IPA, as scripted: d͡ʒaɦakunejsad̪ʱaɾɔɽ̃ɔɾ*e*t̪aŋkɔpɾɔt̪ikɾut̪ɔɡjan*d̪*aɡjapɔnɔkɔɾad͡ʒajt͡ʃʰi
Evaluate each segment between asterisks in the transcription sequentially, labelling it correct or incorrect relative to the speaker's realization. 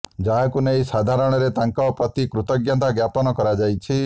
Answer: correct, incorrect

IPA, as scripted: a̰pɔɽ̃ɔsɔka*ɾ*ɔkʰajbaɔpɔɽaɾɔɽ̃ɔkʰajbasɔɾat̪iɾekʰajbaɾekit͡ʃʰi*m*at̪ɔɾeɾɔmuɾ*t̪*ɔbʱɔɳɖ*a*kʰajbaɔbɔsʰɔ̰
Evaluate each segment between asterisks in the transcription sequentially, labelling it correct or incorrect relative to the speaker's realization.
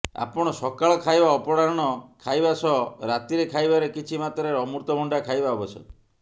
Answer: incorrect, correct, correct, correct

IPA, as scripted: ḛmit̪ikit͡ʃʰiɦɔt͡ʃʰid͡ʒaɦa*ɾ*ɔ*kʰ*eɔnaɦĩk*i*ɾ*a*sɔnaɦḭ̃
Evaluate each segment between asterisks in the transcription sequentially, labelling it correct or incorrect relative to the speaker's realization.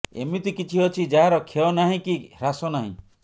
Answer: correct, correct, correct, correct

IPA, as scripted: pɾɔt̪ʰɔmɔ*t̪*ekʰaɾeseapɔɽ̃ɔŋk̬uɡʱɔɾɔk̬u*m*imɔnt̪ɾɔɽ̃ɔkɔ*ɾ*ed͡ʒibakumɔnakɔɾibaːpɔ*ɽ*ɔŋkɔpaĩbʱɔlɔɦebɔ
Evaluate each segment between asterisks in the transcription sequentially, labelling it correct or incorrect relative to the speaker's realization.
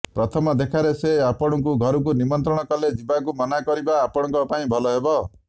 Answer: incorrect, incorrect, incorrect, correct

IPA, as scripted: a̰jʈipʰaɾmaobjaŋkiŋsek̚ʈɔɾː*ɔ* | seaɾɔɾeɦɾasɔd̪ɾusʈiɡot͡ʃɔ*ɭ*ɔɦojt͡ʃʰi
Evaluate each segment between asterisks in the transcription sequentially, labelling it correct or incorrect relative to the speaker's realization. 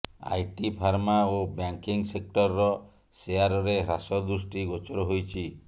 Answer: correct, incorrect

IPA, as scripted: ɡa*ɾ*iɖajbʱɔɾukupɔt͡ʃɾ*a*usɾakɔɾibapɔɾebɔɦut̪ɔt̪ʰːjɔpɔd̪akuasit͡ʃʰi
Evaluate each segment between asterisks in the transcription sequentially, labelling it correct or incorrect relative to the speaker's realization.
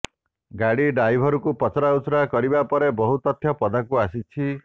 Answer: incorrect, correct

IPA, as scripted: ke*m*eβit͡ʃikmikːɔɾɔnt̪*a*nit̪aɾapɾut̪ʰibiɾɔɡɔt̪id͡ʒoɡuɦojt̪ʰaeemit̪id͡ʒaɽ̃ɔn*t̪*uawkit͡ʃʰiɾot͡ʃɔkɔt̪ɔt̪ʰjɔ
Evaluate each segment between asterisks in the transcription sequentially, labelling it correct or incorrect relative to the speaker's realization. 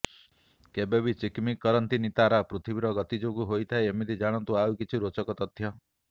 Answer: incorrect, incorrect, correct

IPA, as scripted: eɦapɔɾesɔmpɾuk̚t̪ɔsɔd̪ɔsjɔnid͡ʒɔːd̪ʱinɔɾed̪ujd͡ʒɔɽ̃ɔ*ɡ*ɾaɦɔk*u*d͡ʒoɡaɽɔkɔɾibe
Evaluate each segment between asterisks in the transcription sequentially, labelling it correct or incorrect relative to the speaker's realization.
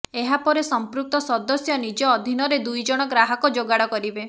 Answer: correct, incorrect

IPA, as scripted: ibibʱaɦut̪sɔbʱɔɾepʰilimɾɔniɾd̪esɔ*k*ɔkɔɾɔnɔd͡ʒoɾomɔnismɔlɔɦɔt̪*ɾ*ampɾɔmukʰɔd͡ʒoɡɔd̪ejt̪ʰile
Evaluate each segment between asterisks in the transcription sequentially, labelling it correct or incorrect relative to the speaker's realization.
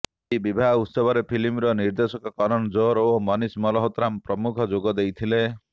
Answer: correct, correct

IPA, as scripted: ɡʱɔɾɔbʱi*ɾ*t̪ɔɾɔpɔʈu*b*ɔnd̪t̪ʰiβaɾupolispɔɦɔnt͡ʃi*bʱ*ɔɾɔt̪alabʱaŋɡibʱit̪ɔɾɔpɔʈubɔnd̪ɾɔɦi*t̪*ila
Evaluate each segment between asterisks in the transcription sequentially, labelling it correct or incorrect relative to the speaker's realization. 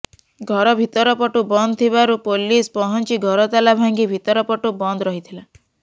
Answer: incorrect, correct, incorrect, incorrect

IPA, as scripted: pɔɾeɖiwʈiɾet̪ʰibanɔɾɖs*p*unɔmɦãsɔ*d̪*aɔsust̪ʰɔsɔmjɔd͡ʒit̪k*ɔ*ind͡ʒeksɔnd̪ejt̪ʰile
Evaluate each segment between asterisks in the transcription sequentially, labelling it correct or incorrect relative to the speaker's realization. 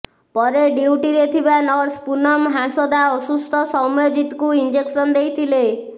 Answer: correct, correct, incorrect

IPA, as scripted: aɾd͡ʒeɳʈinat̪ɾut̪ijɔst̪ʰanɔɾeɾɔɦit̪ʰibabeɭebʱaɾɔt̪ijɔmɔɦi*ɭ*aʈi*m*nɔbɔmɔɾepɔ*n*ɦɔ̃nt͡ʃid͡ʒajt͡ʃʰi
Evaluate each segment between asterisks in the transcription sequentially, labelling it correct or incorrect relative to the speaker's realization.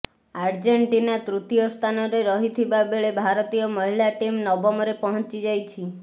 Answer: incorrect, correct, incorrect

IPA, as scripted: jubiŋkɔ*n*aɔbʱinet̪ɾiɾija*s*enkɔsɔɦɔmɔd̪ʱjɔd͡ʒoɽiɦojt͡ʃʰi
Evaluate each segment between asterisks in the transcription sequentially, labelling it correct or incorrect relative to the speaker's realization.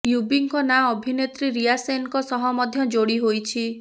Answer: correct, correct

